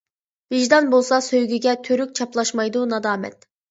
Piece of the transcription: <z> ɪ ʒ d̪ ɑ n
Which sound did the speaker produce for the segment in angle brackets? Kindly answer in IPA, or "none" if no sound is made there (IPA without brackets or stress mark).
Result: v